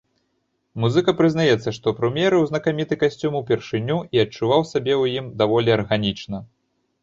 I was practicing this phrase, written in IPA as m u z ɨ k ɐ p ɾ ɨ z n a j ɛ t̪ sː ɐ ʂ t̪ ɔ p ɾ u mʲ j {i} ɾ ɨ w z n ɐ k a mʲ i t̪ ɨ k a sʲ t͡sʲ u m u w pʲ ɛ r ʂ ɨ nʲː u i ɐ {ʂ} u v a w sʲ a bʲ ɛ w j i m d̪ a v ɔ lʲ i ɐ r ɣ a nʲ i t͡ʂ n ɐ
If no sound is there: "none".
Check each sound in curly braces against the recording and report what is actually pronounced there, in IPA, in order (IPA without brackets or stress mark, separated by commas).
ɛ, t͡ʂ